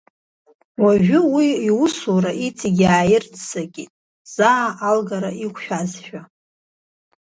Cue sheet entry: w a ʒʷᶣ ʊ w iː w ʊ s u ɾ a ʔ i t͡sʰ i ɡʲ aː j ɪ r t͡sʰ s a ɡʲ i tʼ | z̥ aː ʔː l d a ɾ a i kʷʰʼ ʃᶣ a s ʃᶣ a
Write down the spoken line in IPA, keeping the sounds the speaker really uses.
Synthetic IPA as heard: w a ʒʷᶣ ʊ w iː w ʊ s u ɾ a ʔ i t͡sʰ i ɡʲ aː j ɪ r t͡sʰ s a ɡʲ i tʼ | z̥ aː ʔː l ɡ a ɾ a i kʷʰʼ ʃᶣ a z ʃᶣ a